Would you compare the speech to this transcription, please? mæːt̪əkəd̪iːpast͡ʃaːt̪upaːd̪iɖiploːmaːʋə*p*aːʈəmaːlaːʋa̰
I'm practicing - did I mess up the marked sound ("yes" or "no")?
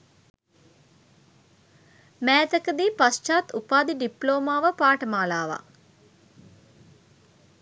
no